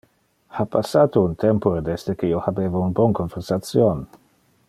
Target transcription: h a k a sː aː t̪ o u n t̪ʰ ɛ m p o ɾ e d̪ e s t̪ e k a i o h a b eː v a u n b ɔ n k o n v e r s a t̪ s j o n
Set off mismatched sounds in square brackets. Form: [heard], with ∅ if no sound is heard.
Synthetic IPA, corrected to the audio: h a [p] a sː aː t̪ o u n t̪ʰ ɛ m p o ɾ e d̪ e s t̪ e k [e] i o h a b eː v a u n b ɔ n k o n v e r s a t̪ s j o n